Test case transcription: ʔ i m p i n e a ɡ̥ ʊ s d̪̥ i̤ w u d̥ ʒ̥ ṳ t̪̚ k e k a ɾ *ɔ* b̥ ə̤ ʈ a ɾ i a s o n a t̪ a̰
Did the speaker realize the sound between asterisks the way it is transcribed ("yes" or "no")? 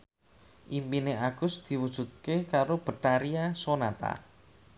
no